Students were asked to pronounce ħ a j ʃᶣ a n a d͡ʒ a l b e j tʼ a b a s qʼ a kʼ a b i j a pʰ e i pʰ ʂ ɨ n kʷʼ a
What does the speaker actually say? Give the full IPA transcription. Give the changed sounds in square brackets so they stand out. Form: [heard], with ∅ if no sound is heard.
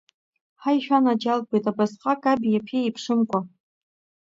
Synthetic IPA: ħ a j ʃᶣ a n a d͡ʒ a l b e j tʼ a b a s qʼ a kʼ a b i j a pʰ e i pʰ ʂ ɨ [m] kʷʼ a